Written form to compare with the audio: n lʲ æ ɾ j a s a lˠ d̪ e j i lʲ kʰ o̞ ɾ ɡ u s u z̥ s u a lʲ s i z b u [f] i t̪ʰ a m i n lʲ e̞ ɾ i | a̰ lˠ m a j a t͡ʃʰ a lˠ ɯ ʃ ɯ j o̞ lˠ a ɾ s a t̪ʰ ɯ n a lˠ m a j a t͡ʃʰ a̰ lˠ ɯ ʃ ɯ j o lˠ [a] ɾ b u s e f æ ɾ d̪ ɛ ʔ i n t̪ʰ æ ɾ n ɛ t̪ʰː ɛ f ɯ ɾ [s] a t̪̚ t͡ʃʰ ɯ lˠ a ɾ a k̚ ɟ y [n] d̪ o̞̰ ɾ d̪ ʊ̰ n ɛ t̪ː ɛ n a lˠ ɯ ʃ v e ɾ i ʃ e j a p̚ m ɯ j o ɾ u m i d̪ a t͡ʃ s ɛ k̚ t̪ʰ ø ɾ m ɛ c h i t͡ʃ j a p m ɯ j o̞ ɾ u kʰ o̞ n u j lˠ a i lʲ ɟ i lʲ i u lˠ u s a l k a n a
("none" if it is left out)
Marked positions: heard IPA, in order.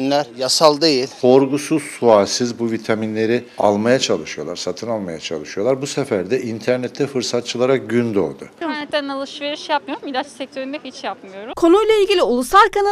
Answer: v, a, s, n

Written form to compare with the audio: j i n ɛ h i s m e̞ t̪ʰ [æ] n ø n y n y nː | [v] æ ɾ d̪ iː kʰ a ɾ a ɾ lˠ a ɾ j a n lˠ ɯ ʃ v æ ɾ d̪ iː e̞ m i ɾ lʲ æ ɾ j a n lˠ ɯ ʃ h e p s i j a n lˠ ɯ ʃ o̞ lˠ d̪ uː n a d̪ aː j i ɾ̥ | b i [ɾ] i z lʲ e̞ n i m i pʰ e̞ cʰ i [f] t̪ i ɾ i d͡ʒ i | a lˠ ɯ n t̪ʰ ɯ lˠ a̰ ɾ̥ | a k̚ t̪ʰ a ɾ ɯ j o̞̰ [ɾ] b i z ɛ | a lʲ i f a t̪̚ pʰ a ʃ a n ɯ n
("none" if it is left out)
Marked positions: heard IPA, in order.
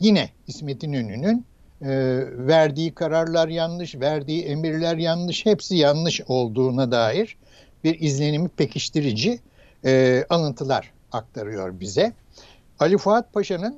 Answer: i, v, ɾ, ʃ, ɾ

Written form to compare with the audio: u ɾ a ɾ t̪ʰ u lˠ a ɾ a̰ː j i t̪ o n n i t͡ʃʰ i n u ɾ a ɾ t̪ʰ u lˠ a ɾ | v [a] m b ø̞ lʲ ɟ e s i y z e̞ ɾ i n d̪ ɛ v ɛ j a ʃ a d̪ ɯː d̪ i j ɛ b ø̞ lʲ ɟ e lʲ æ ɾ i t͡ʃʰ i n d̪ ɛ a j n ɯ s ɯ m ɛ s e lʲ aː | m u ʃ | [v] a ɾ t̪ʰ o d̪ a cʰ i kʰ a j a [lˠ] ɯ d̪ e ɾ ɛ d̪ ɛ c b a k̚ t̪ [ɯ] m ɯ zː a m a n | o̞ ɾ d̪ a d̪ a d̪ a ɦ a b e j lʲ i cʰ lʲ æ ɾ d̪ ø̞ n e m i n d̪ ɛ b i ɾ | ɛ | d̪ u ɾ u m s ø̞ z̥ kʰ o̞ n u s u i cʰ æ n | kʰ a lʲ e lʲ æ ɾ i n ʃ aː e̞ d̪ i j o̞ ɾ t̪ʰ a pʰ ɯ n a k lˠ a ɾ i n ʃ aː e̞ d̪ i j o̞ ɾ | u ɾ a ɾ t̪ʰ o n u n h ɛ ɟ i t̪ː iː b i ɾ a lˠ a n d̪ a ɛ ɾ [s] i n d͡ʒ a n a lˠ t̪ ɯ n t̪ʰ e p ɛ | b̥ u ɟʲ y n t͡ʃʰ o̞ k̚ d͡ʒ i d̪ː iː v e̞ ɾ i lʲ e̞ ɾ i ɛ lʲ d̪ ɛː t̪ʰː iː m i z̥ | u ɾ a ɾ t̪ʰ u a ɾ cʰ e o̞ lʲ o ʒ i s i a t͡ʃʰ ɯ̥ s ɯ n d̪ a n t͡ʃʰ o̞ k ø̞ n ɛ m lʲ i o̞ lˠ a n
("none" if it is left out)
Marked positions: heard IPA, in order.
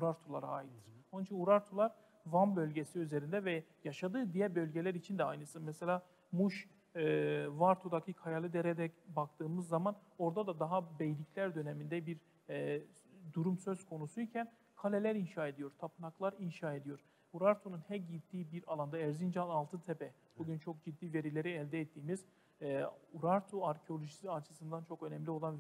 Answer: a, v, lˠ, ɯː, z

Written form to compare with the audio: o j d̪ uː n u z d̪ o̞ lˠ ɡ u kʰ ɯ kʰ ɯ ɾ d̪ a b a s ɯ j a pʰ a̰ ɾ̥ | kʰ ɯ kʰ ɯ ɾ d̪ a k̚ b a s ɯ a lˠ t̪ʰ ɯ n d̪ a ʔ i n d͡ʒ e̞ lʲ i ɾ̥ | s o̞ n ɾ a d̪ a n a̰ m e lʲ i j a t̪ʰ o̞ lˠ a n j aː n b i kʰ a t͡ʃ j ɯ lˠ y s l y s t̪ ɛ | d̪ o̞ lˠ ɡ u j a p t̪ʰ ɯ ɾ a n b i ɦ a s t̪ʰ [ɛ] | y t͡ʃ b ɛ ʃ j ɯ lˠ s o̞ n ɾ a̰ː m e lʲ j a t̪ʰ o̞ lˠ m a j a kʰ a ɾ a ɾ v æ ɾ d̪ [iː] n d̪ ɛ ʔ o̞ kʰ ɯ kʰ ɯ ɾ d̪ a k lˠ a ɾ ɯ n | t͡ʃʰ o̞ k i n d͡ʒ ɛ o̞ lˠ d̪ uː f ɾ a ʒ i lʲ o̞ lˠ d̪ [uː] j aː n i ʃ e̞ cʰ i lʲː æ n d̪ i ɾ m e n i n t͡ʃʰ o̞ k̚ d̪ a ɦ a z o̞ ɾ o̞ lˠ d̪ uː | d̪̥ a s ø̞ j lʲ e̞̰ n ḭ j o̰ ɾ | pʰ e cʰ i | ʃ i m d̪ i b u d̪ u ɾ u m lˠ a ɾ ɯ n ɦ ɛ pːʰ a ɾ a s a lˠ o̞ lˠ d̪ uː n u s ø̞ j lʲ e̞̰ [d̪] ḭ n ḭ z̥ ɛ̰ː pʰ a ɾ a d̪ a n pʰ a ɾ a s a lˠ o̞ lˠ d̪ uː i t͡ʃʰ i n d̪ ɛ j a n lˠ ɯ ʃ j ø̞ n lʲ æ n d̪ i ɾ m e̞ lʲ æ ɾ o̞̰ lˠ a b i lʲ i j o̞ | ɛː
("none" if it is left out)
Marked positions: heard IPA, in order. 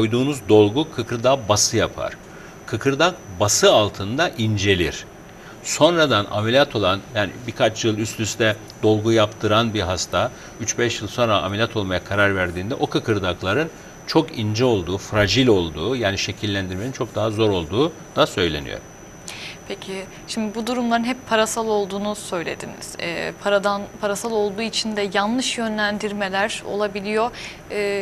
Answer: a, iː, uː, d̪

